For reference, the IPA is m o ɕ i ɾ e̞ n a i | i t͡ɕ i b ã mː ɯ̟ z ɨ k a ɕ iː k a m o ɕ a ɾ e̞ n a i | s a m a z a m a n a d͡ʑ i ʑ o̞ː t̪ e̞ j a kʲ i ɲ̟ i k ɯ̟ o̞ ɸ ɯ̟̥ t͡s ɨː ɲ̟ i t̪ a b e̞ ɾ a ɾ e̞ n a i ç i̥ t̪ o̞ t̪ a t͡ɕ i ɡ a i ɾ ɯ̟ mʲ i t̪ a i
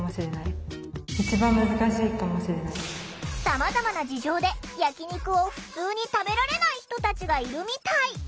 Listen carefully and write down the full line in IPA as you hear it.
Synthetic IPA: m o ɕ i ɾ e̞ n a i | i t͡ɕ i b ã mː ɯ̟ z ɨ k a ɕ iː k a m o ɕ i ɾ e̞ n a i | s a m a z a m a n a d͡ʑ i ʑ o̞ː d̪ e̞ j a kʲ i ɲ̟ i k ɯ̟ o̞ ɸ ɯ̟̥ t͡s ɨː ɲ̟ i t̪ a b e̞ ɾ a ɾ e̞ n a i ç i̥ t̪ o̞ t̪ a t͡ɕ i ɡ a i ɾ ɯ̟ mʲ i t̪ a i